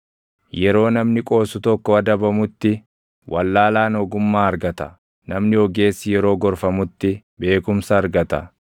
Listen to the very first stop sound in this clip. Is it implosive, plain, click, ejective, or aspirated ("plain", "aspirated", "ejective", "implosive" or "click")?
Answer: ejective